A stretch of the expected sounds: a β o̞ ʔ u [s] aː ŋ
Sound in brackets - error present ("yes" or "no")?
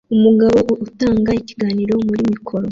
yes